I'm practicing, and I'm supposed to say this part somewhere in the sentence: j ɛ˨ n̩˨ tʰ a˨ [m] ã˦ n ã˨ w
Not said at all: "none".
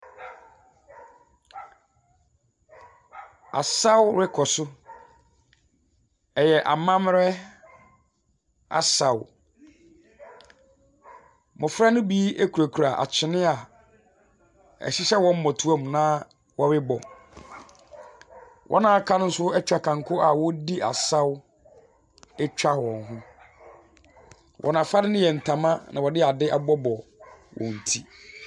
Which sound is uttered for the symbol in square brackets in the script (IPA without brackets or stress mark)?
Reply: m